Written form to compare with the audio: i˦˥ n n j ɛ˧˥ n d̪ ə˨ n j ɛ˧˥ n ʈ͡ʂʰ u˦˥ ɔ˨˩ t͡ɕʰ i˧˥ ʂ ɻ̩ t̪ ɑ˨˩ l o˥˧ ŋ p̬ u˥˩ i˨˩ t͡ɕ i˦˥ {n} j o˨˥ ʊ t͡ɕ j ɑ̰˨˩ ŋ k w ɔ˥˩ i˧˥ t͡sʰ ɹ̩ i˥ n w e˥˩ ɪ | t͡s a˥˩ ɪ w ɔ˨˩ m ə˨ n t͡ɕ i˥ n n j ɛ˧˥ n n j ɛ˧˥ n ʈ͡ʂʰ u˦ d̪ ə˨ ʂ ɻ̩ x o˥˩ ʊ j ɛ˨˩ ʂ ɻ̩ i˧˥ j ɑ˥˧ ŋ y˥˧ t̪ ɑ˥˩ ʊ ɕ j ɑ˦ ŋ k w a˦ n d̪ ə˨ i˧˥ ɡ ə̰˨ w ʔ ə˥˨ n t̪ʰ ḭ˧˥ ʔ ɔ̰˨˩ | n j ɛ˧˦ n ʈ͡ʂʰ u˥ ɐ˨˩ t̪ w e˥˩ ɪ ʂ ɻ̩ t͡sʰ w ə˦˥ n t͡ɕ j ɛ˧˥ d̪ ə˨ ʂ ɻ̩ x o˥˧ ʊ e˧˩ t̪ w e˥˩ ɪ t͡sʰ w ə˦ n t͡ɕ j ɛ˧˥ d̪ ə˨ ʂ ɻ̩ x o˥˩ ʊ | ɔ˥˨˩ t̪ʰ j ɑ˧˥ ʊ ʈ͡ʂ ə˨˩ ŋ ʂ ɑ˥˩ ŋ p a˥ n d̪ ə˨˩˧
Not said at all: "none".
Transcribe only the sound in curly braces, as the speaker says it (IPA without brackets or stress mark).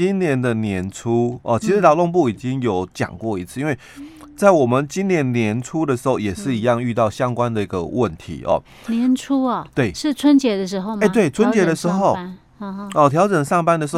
ŋ